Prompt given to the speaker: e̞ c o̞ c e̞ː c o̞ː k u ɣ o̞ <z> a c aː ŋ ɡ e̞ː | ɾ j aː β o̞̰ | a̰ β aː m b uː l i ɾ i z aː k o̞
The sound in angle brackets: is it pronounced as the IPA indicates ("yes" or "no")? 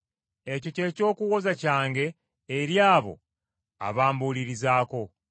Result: yes